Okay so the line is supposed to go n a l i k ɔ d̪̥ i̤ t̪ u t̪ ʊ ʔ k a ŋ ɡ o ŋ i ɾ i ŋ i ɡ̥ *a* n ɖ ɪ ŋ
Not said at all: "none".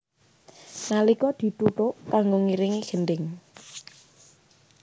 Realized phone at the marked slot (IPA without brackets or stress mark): ə